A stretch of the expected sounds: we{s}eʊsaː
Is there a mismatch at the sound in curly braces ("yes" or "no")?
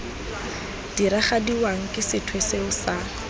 no